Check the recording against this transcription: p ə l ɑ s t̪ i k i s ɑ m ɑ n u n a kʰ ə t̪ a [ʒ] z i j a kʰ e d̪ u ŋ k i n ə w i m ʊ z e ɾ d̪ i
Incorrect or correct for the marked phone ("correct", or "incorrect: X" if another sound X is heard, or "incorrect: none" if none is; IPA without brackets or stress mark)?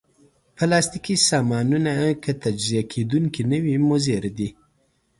incorrect: d͡ʒ